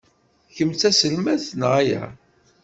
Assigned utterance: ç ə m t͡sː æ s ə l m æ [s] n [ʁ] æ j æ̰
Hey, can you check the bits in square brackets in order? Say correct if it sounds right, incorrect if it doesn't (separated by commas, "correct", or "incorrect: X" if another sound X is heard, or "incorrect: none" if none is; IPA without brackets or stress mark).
incorrect: θ, correct